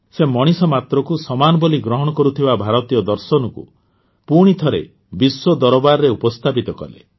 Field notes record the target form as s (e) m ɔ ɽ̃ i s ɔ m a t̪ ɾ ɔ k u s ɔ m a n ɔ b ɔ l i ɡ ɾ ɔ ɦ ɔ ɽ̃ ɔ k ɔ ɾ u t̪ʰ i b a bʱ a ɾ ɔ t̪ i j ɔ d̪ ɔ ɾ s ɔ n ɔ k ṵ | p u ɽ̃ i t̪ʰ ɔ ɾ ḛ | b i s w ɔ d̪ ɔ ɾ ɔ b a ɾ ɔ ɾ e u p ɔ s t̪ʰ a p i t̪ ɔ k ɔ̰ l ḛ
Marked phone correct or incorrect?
correct